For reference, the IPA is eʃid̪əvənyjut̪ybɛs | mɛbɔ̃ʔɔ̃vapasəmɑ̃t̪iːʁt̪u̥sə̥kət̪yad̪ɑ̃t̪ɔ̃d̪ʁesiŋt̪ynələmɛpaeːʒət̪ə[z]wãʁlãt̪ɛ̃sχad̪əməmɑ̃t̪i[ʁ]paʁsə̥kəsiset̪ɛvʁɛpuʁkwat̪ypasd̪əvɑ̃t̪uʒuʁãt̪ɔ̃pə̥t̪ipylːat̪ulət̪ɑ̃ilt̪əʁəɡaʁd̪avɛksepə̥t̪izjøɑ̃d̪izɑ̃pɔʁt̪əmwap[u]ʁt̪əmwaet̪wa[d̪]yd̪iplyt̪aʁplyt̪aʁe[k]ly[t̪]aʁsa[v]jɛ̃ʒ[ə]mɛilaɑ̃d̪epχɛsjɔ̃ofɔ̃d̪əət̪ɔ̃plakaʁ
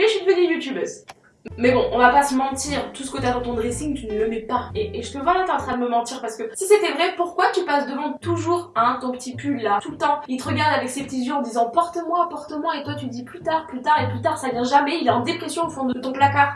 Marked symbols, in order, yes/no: no, yes, no, no, no, yes, yes, no

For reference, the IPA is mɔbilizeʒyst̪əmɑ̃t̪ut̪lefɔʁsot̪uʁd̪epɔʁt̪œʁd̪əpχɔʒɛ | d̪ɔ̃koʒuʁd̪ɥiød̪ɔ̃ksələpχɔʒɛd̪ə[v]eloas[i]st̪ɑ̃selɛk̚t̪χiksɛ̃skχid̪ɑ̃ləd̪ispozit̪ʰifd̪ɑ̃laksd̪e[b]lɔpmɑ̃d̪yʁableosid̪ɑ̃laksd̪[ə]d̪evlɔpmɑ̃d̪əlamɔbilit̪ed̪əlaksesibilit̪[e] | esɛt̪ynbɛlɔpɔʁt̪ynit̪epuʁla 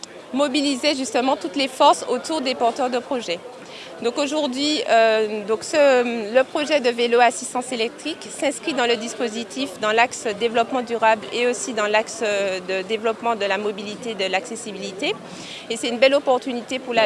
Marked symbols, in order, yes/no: yes, yes, no, yes, yes

